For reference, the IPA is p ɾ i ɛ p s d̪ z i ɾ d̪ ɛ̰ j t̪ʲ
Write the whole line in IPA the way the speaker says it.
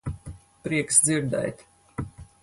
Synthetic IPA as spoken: p ɾ i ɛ k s d̪ z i ɾ d̪ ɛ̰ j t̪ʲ